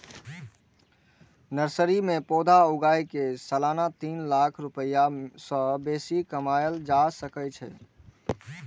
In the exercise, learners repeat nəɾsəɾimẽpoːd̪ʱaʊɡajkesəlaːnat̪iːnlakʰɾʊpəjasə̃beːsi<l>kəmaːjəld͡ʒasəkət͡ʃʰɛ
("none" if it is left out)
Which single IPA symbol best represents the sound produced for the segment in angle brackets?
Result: none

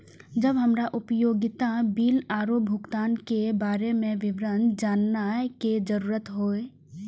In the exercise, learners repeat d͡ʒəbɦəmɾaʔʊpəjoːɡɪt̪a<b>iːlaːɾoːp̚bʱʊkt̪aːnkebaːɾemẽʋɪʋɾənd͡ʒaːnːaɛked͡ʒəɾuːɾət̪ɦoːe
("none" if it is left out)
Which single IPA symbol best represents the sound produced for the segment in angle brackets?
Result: b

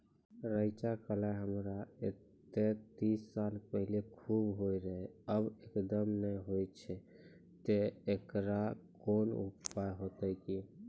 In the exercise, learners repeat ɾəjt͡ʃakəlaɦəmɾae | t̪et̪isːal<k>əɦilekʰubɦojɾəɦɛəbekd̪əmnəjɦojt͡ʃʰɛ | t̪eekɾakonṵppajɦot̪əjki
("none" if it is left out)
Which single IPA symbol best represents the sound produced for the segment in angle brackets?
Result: p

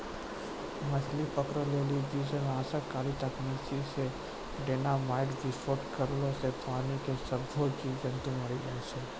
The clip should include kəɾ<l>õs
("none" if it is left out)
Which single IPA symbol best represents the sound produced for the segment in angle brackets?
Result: l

